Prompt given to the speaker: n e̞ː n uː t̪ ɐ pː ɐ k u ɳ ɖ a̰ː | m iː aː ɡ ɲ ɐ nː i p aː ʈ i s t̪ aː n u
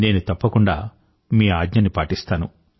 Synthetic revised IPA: n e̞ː n u t̪ ɐ pː ɐ k u ɳ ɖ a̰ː | m iː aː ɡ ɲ ɐ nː i p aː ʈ i s t̪ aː n u